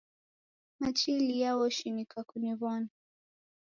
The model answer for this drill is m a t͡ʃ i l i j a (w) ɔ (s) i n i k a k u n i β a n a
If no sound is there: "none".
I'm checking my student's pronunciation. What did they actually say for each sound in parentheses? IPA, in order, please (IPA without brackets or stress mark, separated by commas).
w, ʃ